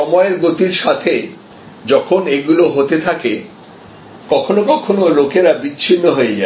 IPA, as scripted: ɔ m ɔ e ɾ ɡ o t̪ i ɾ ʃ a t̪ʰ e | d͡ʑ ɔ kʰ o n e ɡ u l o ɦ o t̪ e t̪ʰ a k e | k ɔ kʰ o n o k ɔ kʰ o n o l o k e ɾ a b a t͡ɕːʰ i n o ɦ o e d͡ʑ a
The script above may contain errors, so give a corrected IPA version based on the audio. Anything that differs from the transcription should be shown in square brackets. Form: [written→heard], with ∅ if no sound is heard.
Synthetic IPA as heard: ɔ m ɔ e ɾ ɡ o t̪ i ɾ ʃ a t̪ʰ e | d͡ʑ ɔ kʰ o n e ɡ u l o ɦ o t̪ e t̪ʰ a k e | k ɔ kʰ o n o k ɔ kʰ o n o l o k e ɾ a b [a→i] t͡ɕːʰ i [n→nː] o ɦ o e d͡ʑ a